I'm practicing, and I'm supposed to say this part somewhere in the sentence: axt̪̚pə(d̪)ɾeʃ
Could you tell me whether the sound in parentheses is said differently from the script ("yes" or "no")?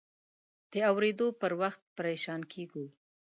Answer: yes